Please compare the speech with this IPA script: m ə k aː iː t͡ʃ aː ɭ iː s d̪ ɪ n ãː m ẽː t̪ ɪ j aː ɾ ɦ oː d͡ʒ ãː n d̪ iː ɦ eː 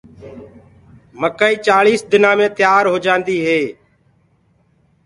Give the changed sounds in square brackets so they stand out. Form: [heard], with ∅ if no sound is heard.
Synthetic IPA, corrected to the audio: m ə k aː iː t͡ʃ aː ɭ iː s d̪ ɪ n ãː m ẽː t̪ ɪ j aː ɾ ɦ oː d͡ʒ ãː n d̪ iː ɦ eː